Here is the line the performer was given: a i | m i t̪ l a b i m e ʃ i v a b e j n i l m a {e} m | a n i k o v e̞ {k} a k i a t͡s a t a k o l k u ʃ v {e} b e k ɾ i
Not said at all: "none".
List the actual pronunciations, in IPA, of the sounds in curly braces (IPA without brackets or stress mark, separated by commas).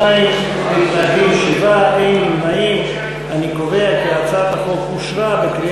i, none, a